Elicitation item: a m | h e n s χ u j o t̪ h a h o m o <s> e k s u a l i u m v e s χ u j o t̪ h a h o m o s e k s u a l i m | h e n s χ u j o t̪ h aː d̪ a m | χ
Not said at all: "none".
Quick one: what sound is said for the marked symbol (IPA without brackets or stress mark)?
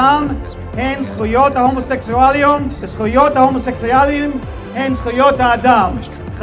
s